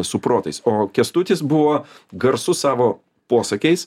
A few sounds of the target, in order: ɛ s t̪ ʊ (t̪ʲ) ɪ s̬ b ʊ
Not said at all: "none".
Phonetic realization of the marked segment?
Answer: t̪ʲ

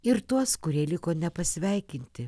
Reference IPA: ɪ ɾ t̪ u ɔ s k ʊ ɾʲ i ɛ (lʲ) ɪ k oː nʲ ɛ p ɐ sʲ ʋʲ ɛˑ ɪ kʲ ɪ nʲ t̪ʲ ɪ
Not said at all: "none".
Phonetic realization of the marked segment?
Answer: lʲ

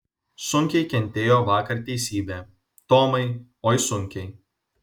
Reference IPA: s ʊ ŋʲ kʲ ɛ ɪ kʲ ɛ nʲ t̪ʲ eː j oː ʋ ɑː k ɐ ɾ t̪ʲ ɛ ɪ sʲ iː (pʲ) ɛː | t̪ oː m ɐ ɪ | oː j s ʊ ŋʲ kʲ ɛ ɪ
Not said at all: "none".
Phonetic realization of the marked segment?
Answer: bʲ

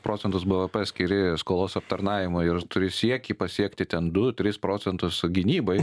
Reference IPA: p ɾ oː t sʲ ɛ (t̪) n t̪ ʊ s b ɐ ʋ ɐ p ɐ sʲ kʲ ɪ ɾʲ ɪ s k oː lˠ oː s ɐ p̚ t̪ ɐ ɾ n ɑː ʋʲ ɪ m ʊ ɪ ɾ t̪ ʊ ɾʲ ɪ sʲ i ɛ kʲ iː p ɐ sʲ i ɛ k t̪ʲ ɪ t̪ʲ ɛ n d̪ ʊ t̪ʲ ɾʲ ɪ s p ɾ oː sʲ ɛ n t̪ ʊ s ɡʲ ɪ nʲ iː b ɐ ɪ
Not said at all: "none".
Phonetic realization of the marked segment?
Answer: none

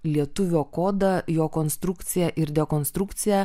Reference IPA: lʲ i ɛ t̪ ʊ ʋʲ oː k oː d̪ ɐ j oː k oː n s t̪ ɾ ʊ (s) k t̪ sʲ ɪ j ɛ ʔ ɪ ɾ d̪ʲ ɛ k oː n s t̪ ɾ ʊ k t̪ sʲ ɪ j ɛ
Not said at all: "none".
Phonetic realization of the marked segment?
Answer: none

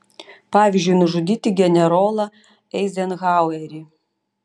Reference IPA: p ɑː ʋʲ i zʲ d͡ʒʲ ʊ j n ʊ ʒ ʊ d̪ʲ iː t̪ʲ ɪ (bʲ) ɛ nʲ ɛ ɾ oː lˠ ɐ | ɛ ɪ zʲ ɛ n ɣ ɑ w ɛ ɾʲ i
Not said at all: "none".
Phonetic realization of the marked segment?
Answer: ɡʲ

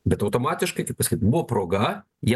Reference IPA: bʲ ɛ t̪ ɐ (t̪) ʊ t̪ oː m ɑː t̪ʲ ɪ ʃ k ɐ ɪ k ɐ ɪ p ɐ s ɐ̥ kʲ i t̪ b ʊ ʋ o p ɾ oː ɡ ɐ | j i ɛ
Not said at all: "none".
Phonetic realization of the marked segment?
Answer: none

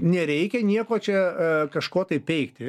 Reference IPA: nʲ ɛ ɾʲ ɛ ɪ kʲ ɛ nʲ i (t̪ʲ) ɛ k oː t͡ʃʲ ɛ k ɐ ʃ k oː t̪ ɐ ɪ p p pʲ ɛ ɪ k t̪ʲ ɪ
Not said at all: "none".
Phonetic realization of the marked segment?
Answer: none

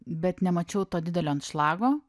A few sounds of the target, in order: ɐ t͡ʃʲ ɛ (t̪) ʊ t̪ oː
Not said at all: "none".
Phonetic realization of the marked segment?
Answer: none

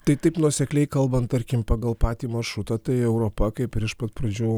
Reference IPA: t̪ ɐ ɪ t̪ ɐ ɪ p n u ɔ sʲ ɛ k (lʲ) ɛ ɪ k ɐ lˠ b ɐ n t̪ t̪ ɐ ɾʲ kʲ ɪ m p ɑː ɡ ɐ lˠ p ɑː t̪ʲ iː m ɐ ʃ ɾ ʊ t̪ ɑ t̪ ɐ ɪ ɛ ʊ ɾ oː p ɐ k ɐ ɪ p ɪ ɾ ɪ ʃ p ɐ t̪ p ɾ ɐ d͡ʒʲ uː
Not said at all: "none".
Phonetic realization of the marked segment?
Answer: lʲ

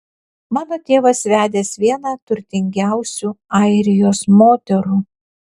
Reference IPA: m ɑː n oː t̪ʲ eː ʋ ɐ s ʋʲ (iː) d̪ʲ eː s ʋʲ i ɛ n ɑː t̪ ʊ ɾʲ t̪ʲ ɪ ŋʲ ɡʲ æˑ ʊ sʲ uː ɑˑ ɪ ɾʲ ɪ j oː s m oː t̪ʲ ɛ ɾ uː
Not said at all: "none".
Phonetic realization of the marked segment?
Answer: æː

